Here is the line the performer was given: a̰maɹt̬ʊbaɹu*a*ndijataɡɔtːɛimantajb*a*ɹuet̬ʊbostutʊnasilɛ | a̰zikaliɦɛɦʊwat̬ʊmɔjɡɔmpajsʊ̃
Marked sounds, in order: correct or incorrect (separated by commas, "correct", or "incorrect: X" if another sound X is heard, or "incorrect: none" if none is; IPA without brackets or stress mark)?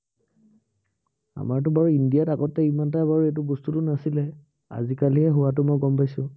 incorrect: i, correct